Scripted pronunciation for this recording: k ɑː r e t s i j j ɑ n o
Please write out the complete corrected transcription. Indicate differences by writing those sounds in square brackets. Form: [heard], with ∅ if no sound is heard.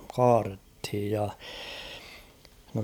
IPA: k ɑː r e t [h] i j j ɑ n o

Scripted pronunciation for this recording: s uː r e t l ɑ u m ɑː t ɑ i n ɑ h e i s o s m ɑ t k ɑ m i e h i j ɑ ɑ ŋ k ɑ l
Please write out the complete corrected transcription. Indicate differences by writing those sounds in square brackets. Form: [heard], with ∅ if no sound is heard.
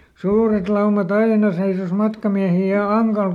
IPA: s uː r e t l ɑ u m [ɑ] t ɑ i n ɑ [s] e i s o s m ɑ t k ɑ m i [æ] h i j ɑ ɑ ŋ k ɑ l

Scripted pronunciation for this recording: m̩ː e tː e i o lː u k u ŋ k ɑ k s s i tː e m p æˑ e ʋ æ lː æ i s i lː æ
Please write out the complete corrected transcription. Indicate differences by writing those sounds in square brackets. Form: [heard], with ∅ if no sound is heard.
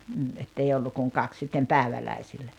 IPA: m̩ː e tː e i o lː u k u ŋ k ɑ k s s i tː e m p æˑ e ʋ æ [l] æ i s i lː æ

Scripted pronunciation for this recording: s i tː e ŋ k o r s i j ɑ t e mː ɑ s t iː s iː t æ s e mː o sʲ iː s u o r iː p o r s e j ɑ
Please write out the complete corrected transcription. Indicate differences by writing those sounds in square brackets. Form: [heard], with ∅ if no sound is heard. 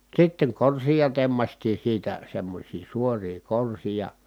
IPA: s i tː e ŋ k o r s i j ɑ t e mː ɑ s t iː s iː t æ s e mː o sʲ iː s u o r iː [k] o r s [i] j ɑ

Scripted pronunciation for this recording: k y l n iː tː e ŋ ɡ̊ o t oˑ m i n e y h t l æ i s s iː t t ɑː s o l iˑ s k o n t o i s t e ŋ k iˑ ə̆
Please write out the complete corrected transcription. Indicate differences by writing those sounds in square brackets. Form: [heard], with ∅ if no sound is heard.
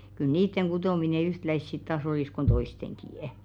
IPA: k y l n iː tː e ŋ ɡ̊ [u] t oˑ m i n e y h t l æ i s s [i] t t ɑː s o l iˑ s k o n t o i s t e ŋ k iˑ ə̆

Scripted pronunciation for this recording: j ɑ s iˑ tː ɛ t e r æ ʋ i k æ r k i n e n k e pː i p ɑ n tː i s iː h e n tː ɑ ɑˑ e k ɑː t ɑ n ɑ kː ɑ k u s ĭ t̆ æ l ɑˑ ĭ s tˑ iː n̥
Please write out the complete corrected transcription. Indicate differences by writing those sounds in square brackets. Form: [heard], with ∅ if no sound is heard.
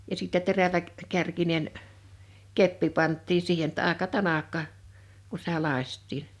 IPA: j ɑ s iˑ tː ɛ t e r æ ʋ [æ] k æ r k i n e n k e pː i p ɑ n tː [iː] s iː h e n tː ɑ ɑˑ e k [ɑ] t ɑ n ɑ kː ɑ k u s ĭ t̆ æ l ɑˑ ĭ s tˑ iː n̥

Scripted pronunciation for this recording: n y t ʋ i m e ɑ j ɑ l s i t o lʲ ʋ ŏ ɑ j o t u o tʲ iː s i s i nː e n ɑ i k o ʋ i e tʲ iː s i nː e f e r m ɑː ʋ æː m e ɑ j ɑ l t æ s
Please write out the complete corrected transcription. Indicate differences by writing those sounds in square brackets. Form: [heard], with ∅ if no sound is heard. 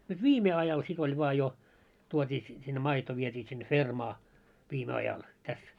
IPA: n y t ʋ [iː] m e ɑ j ɑ l s i t o lʲ ʋ ŏ ɑ j o t u o tʲ iː s i s i nː e [m] ɑ i [t] o ʋ i e tʲ iː s i nː e f e r m ɑː ʋ [iː] m e ɑ j ɑ l t æ s

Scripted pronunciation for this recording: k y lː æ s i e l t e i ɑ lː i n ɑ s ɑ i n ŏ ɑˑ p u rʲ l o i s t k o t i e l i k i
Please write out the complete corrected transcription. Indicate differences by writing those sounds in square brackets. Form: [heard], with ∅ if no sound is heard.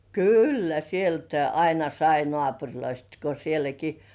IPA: k y lː æ s i e l t [æ] i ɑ [∅] i n ɑ s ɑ i n ŏ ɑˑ p u rʲ l o i s t k o [s] i e l [æ] k i

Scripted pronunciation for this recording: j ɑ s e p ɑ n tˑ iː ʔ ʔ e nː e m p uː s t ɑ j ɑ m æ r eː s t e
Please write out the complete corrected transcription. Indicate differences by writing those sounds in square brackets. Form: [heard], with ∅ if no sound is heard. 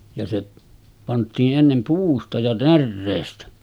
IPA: j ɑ s e p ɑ n tˑ iː ʔ ʔ e nː e m p uː s t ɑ j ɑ [n] æ [rː] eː s t [æ]

